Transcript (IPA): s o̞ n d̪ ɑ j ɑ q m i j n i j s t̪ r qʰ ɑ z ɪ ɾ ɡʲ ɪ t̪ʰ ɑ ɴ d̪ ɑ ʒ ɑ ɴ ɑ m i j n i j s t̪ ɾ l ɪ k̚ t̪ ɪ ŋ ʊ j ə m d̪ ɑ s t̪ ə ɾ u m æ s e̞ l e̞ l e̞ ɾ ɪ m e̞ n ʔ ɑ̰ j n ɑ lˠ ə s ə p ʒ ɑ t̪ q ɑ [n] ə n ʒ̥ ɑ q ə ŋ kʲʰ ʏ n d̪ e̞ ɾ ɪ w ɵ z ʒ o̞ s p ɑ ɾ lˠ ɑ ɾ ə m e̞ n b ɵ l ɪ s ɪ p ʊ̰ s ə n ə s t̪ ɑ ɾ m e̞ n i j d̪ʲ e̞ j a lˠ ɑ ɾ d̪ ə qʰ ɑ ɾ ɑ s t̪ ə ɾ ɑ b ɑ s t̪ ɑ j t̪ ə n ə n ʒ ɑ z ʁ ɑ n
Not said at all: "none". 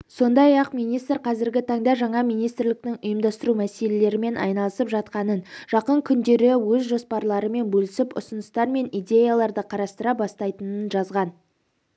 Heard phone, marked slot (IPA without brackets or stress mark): n